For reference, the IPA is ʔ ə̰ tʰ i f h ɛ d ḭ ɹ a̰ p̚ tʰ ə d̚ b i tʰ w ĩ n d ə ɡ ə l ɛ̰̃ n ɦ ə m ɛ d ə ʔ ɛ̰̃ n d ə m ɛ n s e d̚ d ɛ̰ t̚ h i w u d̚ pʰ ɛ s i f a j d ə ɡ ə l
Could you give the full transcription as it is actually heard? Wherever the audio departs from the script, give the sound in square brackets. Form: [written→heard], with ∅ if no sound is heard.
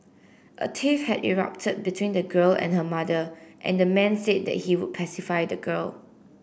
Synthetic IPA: ʔ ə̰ tʰ i f h ɛ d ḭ ɹ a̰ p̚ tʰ ə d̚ b i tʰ w ĩ n d ə ɡ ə l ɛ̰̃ n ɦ ə m [ɛ→a] d ə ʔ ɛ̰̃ n d ə m [ɛ→ɛ̃] n s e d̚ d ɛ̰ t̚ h i w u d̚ pʰ ɛ s i f a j d ə ɡ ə l